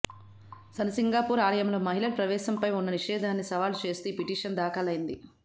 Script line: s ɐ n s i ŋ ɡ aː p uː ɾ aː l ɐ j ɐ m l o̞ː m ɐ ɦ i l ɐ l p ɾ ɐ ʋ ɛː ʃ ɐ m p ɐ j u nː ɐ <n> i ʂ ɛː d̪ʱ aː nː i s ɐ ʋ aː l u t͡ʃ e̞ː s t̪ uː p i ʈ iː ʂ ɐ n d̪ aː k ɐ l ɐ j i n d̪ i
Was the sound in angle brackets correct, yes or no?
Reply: yes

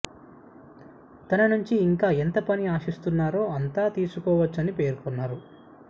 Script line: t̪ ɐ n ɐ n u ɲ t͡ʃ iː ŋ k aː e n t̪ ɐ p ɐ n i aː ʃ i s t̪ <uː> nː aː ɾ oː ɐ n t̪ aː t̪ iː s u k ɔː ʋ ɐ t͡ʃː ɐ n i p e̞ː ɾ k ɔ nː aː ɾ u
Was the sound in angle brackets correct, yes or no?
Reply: no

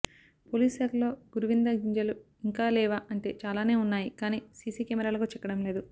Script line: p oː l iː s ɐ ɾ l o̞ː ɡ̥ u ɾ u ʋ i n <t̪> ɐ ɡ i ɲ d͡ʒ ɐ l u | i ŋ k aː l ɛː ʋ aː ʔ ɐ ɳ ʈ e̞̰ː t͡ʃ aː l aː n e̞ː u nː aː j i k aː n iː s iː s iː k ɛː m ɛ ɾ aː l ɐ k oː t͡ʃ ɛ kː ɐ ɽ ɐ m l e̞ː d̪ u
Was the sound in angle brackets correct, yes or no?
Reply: no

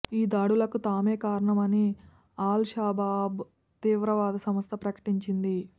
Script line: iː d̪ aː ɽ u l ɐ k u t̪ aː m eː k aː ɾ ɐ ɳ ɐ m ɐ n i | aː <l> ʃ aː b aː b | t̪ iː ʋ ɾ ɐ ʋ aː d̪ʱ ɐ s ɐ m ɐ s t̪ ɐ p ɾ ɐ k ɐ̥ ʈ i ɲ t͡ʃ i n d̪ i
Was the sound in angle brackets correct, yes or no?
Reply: yes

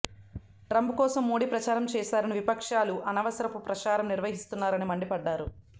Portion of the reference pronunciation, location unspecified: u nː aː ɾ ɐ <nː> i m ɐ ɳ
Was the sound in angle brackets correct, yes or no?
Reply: no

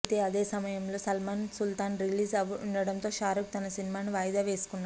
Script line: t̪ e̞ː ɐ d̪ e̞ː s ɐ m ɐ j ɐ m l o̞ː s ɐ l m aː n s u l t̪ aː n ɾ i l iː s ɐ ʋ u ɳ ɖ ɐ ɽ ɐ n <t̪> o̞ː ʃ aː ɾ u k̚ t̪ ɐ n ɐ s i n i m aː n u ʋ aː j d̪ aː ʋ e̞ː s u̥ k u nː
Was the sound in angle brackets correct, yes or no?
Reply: yes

